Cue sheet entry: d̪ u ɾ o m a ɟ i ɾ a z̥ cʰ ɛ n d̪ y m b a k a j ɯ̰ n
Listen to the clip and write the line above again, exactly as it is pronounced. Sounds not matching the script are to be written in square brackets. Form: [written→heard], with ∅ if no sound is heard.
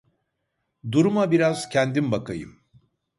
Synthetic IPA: d̪ u ɾ [o→u] m a [ɟ→b] i ɾ a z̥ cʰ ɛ n d̪ [y→i] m b a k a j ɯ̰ [n→m]